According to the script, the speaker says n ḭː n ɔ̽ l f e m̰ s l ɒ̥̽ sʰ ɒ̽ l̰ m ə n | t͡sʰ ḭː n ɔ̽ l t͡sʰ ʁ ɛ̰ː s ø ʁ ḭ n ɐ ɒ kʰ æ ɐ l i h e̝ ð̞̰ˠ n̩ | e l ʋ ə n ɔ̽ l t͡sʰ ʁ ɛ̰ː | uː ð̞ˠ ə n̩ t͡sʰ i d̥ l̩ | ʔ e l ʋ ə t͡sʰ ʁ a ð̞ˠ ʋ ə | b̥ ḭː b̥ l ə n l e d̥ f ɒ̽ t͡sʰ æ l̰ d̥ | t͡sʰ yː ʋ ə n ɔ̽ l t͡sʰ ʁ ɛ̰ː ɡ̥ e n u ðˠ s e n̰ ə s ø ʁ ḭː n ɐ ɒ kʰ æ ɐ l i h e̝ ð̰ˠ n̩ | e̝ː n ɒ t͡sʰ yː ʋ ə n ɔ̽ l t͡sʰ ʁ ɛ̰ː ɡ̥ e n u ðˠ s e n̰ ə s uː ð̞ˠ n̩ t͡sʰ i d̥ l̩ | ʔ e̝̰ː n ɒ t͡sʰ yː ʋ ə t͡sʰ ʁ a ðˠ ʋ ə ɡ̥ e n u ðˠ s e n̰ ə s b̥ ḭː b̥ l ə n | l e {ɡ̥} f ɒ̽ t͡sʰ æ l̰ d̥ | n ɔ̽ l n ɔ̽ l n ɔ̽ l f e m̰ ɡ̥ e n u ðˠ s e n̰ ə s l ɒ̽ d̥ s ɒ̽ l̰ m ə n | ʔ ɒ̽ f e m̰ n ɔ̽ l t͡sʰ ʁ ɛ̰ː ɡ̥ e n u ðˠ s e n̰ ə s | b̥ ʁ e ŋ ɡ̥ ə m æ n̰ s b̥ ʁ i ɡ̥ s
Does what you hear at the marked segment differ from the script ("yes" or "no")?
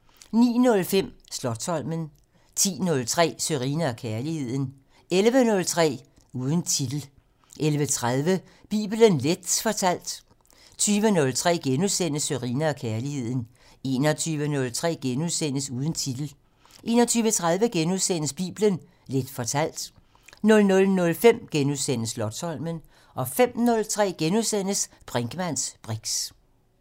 yes